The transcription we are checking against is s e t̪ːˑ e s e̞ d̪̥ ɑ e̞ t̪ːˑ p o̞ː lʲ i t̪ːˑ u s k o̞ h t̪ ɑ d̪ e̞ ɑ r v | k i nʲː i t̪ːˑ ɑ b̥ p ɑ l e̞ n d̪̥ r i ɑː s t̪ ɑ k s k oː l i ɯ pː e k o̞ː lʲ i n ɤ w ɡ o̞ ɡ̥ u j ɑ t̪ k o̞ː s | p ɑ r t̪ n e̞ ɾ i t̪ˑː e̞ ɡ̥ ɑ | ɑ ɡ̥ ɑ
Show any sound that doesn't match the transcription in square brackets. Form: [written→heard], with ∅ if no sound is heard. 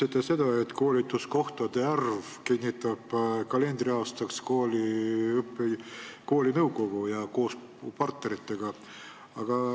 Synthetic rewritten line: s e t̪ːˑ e s e̞ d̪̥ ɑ e̞ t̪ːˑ [p→k] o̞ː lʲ i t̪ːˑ u s k o̞ h t̪ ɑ d̪ e̞ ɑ r v | k i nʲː i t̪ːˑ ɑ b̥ [p→k] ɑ l e̞ n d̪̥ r i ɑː s t̪ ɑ k s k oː l i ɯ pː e k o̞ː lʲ i n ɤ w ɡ o̞ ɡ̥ u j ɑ [t̪→∅] k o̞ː s | p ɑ r t̪ n e̞ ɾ i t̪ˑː e̞ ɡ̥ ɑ | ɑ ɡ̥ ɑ